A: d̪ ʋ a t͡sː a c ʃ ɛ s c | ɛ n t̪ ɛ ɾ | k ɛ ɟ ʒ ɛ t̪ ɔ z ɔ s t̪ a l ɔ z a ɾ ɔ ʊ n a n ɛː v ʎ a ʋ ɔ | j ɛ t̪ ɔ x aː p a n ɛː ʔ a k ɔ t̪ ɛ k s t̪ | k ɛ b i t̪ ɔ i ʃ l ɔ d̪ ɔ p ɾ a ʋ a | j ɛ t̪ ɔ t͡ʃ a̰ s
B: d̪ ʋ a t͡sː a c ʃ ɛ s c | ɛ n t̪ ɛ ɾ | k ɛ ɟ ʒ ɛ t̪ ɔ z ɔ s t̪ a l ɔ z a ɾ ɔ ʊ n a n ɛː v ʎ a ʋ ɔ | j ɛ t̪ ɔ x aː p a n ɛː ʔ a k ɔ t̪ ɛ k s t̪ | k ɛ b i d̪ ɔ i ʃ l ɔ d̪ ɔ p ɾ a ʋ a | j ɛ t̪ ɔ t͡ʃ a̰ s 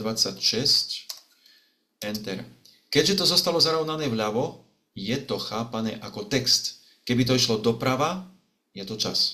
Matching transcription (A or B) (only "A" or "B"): A